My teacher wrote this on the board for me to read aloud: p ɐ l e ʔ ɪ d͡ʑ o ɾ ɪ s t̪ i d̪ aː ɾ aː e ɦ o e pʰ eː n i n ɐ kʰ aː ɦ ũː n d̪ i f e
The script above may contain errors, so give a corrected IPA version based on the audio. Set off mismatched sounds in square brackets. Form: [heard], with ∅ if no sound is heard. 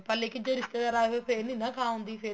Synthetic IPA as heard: p ɐ l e [k] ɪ d͡ʑ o ɾ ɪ s t̪ [e] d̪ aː ɾ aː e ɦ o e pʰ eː n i n ɐ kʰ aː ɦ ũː n d̪ i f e